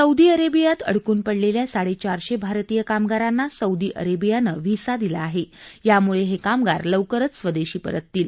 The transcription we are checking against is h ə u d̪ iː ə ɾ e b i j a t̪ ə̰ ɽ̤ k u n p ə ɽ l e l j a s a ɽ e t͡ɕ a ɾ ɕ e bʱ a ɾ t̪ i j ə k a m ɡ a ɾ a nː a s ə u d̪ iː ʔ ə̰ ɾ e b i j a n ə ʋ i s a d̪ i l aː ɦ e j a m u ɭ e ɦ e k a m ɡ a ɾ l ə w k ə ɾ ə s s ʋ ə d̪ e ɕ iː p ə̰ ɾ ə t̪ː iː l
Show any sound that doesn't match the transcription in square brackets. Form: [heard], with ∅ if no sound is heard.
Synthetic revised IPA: [s] ə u d̪ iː ə ɾ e b i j a t̪ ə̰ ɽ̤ k [uː] n p ə ɽ l e l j a s a ɽ e t͡ɕ a ɾ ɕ e bʱ a ɾ t̪ i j ə k a m ɡ a ɾ a nː a s ə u d̪ iː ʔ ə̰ ɾ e b i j a n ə ʋ i s a d̪ i l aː ɦ e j a m u ɭ e ɦ e k a m ɡ a ɾ l ə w k ə ɾ ə [t͡s] s ʋ ə d̪ e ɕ iː p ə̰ ɾ ə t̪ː iː l